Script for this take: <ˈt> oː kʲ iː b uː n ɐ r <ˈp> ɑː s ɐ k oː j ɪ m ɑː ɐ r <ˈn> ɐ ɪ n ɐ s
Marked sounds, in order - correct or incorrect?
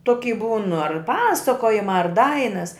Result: correct, correct, incorrect

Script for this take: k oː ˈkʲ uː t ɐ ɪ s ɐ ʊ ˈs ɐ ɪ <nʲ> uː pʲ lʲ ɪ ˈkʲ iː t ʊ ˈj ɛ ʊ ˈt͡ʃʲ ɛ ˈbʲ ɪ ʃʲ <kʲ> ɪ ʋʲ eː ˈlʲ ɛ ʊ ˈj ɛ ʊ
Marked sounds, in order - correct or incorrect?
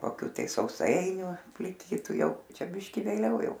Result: correct, correct

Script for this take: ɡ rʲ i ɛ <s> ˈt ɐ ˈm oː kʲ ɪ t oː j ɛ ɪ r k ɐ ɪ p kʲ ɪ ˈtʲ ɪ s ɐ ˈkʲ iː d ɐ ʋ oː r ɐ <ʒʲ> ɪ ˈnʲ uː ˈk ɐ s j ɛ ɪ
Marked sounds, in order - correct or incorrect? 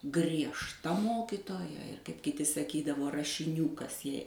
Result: incorrect, incorrect

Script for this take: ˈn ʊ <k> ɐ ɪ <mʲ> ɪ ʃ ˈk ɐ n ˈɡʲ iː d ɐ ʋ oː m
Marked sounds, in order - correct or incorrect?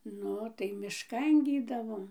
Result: incorrect, correct

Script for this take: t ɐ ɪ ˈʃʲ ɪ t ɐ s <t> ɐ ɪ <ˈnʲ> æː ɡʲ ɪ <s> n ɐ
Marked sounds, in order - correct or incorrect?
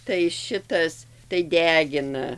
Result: correct, incorrect, incorrect

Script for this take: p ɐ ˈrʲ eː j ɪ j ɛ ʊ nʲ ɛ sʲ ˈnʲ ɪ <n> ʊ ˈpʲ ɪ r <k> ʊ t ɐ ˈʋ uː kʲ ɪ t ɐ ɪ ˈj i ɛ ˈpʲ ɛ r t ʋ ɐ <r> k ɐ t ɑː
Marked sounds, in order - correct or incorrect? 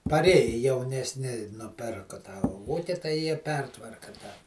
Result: correct, correct, correct

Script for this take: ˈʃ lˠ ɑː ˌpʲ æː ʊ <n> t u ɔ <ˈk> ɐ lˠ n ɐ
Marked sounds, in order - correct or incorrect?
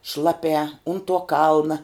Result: correct, correct

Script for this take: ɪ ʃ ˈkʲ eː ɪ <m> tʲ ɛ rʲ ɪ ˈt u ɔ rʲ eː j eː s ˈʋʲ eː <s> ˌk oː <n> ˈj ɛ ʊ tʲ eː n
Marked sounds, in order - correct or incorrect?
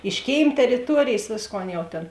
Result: correct, correct, correct

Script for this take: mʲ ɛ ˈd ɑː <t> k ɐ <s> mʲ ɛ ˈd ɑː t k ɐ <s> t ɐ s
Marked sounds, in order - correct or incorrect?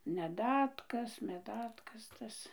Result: correct, correct, correct

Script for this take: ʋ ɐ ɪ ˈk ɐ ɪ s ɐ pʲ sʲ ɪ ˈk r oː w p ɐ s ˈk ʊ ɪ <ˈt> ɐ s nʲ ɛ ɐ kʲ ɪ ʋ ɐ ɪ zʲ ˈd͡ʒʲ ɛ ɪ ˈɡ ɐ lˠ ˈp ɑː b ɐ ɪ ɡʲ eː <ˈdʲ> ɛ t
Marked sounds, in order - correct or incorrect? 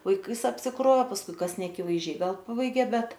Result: incorrect, incorrect

